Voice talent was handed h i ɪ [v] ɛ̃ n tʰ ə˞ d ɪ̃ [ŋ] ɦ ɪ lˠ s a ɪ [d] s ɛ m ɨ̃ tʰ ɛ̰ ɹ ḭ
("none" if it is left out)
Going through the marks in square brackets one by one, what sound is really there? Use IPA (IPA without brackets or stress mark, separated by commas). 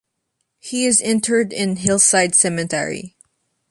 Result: z, n, d